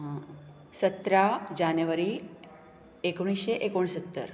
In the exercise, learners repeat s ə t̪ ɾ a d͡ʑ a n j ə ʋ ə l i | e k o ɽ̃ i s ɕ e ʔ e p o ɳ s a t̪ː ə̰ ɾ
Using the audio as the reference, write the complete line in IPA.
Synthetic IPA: s ə t̪ ɾ a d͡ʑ a n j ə ʋ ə ɾ i | e k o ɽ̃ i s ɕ e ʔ e k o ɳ s ə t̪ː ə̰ ɾ